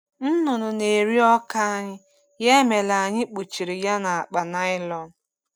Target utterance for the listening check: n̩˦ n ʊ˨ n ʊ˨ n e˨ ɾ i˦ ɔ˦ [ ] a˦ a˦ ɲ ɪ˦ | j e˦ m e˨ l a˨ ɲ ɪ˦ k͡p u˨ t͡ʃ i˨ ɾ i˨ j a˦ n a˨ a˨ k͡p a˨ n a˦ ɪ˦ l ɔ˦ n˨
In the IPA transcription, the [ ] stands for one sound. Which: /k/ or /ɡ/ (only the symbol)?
k